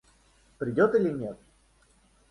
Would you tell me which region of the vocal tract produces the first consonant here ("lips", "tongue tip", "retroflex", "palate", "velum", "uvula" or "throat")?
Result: lips